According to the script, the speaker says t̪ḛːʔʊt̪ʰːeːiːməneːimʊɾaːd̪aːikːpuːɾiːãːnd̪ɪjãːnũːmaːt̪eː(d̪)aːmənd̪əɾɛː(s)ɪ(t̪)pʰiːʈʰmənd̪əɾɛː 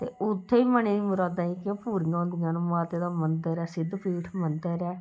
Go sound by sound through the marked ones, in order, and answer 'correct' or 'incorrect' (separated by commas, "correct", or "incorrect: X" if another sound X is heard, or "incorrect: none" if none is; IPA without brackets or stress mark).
correct, correct, incorrect: d̪